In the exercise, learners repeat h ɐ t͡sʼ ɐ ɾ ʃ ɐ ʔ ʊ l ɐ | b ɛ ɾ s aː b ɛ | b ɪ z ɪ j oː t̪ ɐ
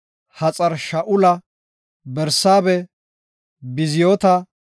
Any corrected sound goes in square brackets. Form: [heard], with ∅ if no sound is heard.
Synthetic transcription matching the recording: h ɐ t͡sʼ ɐ ɾ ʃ ɐ ʔ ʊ l ɐ | b ɛ ɾ s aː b ɛ | b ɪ z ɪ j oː t̪ ɐ